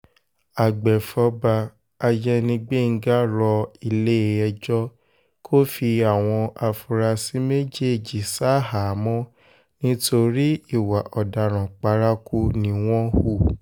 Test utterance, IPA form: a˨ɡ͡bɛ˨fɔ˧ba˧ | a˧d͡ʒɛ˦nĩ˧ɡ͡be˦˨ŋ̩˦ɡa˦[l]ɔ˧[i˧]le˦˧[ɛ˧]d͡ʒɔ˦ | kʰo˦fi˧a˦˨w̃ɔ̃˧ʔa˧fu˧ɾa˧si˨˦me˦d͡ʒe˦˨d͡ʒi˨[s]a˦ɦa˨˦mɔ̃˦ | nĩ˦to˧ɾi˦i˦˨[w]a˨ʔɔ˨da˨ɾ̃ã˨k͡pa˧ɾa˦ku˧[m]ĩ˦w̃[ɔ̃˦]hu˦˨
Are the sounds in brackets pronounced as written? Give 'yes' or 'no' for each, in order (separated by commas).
no, yes, yes, yes, yes, no, yes